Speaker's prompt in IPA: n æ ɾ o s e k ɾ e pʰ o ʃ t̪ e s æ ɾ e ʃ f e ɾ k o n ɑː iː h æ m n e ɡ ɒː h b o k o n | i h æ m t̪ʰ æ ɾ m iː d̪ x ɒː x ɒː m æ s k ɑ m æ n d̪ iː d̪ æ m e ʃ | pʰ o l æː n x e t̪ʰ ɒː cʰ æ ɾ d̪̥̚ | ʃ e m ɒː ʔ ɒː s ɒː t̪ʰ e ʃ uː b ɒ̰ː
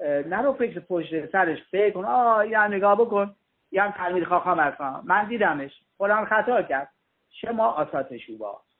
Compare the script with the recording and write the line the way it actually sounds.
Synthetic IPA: n æ ɾ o f e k ɾ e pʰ o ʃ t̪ e s æ ɾ e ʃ f e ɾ k o n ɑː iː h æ m n e ɡ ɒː h b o k o n | i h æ m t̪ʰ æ ɾ m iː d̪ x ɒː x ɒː m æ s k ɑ m æ n d̪ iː d̪ æ m e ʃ | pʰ o l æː n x æ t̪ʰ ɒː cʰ æ ɾ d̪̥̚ | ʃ e m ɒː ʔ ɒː s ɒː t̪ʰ e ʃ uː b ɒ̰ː

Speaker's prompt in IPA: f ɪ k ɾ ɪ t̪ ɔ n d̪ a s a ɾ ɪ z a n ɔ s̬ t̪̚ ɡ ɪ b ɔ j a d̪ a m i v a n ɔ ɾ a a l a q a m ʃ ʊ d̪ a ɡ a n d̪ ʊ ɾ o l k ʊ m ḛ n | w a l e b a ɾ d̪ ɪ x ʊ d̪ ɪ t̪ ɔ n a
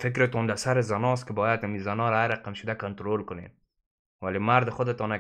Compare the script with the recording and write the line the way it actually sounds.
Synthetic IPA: f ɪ k ɾ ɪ t̪ ɔ n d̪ a s a ɾ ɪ z a n ɔ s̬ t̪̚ k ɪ b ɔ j a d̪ a m i z a n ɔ ɾ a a ɾ a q a m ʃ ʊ d̪ a k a n t̪ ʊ ɾ o l k ʊ n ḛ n | w a l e m a ɾ d̪ ɪ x ʊ d̪ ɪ t̪ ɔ n a

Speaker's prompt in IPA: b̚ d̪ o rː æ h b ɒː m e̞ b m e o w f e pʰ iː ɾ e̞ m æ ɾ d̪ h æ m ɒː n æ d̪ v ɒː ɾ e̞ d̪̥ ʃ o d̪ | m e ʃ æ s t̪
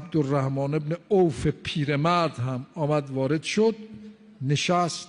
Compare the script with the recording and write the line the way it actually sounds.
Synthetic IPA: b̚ d̪ o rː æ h m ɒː n e̞ b n e o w f e pʰ iː ɾ e̞ m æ ɾ d̪ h æ m ɒː m æ d̪ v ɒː ɾ e̞ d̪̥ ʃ o d̪ | n e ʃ æ s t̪

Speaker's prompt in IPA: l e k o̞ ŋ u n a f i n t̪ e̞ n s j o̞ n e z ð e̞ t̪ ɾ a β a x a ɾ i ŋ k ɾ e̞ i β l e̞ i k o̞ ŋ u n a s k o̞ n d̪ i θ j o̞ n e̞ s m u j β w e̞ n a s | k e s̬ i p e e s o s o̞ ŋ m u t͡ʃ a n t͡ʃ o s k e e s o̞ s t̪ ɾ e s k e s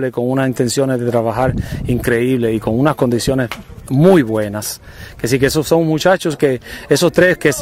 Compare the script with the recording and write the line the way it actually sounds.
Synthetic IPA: l e k o̞ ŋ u n a s i n t̪ e̞ n s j o̞ n e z ð e̞ t̪ ɾ a β a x a ɾ i ŋ k ɾ e̞ i β l e̞ i k o̞ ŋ u n a s k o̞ n d̪ i s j o̞ n e̞ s m u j β w e̞ n a s | k e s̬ i k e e s o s o̞ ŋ m u t͡ʃ a t͡ʃ o s k e e s o̞ s t̪ ɾ e s k e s

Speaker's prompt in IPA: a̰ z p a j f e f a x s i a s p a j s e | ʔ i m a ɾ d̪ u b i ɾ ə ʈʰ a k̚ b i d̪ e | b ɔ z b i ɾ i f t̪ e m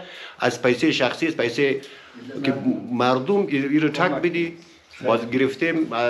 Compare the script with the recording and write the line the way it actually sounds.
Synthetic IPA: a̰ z p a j s e ʃ a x s i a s p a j s e | k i m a ɾ d̪ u m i ɾ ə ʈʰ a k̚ b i d̪ i | b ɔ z ɡ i ɾ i f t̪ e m

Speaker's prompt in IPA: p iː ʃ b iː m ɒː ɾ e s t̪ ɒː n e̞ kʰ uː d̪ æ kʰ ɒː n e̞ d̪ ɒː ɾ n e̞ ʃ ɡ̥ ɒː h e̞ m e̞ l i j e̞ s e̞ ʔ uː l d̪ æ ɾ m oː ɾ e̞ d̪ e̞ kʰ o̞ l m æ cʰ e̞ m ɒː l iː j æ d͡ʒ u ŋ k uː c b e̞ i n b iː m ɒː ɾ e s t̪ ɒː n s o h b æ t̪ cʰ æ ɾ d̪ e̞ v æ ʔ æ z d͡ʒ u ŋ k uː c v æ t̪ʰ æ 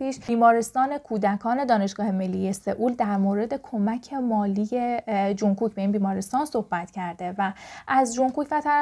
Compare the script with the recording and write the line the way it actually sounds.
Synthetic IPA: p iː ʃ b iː m ɒː ɾ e s t̪ ɒː n e̞ kʰ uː d̪ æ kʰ ɒː n e̞ d̪ ɒː n e̞ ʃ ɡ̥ ɒː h e̞ m e̞ lː i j e̞ s e̞ ʔ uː l d̪ æ ɾ m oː ɾ e̞ d̪ e̞ kʰ o̞ m æ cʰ e̞ m ɒː l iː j e d͡ʒ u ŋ k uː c b e̞ i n b iː m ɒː ɾ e s t̪ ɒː n s o h b æ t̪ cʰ æ ɾ d̪ e̞ v æ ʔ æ z d͡ʒ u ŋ k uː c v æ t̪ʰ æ

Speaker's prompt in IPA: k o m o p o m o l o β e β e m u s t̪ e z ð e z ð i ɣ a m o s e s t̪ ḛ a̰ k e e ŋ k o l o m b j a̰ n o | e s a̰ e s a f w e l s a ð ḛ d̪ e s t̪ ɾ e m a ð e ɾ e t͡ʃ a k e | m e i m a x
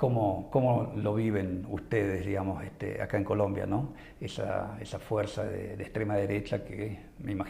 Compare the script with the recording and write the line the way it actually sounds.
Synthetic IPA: k o m o k o m o l o β i β e n u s t̪ e ð e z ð i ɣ a m o s e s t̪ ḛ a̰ k a e ŋ k o l o m b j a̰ n o | e s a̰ e s a f w e ɾ s a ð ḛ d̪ e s t̪ ɾ e m a ð e ɾ e t͡ʃ a k e | m e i m a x

